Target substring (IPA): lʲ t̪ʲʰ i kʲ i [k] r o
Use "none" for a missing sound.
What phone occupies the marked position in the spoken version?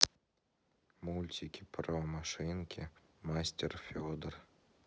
p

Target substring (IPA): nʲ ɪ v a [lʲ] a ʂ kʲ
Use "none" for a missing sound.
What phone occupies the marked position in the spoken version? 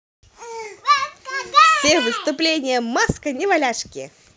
lʲ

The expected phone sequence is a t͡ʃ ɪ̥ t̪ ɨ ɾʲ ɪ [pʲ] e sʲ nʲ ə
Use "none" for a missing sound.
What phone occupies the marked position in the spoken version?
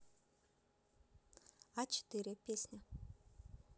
pʲ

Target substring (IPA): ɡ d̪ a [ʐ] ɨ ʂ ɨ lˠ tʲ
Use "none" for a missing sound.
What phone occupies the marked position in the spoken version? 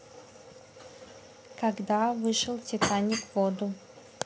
v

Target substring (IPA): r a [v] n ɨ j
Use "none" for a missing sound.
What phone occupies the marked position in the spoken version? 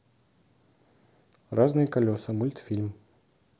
z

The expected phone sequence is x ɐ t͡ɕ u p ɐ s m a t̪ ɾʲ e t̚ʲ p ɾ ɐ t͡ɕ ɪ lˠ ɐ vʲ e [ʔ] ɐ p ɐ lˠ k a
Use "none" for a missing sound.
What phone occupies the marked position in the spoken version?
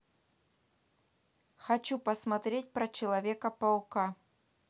k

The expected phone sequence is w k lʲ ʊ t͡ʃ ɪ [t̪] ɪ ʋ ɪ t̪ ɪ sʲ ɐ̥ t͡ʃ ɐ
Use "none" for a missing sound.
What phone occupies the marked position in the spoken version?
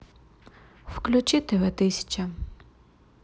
t̪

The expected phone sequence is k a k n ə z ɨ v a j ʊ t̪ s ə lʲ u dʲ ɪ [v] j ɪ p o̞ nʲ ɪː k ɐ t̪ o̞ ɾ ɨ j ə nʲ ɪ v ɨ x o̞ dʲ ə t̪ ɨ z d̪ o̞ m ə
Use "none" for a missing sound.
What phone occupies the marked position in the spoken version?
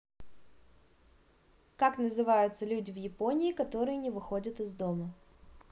v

